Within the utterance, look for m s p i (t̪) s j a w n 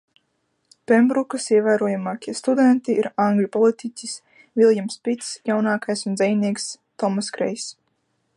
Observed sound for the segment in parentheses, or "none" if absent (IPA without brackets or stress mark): t̪